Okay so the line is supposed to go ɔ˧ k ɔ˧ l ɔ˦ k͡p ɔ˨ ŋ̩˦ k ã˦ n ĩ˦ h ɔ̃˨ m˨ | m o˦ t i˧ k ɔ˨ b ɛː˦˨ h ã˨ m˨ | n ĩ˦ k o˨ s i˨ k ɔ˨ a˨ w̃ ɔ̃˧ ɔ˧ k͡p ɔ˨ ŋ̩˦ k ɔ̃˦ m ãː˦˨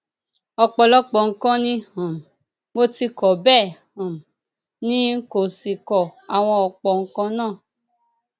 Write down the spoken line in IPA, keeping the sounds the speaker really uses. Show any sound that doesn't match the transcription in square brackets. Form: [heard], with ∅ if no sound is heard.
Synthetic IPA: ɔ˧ [k͡p] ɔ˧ l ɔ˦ k͡p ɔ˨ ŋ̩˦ k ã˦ n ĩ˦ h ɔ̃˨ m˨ | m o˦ t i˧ k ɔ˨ b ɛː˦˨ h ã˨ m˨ | n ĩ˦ k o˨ s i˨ k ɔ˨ a˨ w̃ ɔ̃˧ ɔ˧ k͡p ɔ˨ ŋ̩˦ k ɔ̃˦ [n] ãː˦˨